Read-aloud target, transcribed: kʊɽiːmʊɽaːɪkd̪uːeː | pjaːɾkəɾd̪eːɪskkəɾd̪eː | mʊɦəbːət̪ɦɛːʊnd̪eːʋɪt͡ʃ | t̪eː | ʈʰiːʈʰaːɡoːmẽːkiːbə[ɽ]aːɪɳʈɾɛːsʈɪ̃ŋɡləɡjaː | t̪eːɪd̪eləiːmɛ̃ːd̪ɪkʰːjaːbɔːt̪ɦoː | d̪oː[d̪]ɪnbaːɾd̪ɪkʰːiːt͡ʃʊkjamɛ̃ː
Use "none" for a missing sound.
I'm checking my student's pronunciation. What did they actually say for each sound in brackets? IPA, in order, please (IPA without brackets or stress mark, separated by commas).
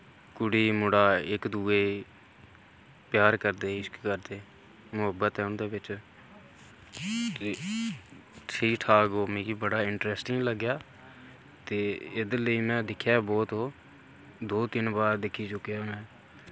ɽ, t̪